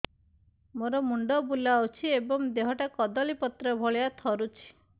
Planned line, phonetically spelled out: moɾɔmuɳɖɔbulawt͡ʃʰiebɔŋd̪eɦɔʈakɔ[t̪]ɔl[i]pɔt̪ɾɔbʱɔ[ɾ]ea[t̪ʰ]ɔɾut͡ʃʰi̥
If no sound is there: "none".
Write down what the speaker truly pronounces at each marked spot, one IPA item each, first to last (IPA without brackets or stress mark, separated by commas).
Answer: d̪, i, ɭ, t̪ʰ